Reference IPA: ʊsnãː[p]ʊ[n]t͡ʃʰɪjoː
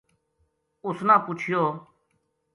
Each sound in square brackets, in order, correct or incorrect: correct, incorrect: none

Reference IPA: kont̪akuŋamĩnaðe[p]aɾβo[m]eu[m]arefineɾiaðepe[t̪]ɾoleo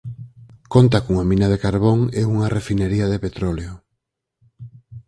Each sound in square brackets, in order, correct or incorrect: incorrect: k, incorrect: ŋ, incorrect: ŋ, correct

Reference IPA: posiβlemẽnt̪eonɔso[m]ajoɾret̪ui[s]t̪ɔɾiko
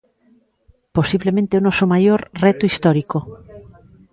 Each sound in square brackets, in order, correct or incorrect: correct, correct

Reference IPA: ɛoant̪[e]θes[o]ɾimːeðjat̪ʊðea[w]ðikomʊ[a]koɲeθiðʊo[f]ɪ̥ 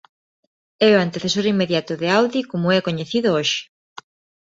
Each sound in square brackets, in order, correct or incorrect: correct, correct, correct, incorrect: ɛ, incorrect: ʃ

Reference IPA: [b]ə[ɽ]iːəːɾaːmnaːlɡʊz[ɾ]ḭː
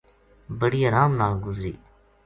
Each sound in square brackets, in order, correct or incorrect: correct, correct, correct

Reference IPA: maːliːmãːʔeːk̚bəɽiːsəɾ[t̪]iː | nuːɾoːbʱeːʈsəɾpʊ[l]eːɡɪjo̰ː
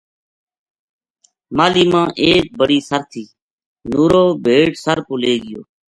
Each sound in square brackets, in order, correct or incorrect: incorrect: t̪ʰ, correct

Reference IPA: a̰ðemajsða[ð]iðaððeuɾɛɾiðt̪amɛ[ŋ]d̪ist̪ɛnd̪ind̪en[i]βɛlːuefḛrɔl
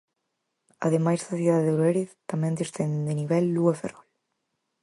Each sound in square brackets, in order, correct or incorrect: incorrect: θ, incorrect: n, correct

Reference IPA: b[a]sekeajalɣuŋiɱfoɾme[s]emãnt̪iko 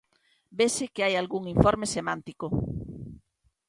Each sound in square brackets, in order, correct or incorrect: incorrect: e, correct

